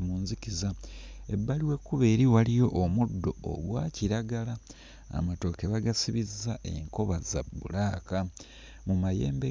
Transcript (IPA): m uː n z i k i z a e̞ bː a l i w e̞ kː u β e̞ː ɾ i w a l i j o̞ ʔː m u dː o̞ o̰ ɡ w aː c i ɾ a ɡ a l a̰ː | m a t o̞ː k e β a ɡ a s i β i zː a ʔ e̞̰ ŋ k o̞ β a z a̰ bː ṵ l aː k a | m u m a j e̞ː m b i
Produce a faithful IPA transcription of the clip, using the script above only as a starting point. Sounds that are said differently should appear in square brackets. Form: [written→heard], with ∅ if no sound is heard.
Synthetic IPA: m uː n z i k i z a e̞ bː a l i w e̞ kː u β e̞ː ɾ i w a l i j o̞ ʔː m u dː o̞ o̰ ɡ w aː c i ɾ a ɡ a l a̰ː | m a t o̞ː k e β a ɡ a s i β i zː a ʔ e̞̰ ŋ k o̞ β a z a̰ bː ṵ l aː k a | m u m a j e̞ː m b [i→e]